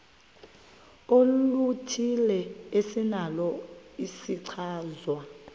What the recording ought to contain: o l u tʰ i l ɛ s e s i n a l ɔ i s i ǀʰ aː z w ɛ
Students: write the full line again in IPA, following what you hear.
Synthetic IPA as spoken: o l u tʰ i l ɛ e s i n a l ɔ i s i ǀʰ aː z w a